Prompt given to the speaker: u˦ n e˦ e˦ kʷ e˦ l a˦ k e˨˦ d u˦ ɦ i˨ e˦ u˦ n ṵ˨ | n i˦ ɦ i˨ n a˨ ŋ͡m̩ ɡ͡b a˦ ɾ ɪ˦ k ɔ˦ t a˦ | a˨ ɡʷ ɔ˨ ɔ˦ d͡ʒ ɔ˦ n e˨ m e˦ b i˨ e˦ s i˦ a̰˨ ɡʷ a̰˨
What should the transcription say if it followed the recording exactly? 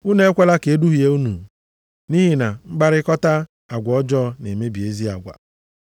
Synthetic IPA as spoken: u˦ n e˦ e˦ kʷ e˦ l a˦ k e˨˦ d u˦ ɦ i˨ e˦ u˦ n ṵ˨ | n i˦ ɦ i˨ n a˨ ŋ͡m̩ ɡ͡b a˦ ɾ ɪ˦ k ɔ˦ t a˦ | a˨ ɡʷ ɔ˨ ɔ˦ d͡ʒ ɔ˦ n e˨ m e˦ b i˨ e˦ z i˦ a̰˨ ɡʷ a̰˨